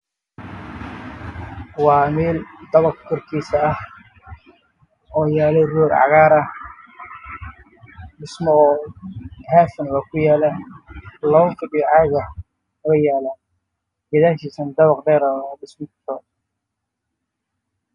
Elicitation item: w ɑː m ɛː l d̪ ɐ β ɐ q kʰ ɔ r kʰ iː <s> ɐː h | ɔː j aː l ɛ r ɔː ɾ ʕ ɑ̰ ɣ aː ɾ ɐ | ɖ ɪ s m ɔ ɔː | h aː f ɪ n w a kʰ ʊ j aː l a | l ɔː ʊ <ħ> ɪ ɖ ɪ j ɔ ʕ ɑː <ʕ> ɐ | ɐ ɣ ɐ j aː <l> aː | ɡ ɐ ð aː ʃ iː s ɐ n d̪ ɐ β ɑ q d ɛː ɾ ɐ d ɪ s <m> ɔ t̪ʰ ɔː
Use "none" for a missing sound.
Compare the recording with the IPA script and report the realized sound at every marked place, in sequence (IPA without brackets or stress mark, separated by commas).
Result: s, f, ɣ, l, m